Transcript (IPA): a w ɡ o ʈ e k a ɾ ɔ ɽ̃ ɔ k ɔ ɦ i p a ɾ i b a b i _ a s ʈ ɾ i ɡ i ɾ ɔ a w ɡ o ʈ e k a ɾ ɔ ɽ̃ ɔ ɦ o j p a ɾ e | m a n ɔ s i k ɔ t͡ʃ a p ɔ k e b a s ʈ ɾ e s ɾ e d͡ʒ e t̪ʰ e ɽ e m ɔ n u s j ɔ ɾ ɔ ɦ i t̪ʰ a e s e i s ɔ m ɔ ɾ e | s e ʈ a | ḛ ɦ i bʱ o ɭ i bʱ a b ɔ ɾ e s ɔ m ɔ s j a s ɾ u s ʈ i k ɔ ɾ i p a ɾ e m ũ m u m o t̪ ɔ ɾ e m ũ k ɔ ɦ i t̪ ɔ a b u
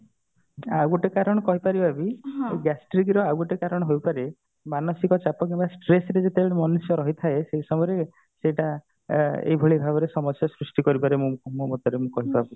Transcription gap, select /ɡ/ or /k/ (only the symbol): ɡ